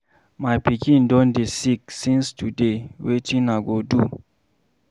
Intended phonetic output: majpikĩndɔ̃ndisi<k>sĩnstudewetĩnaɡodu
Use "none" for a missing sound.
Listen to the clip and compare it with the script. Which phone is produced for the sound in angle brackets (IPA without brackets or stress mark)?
k